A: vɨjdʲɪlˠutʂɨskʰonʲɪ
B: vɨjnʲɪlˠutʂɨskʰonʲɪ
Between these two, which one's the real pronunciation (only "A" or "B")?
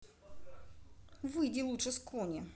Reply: A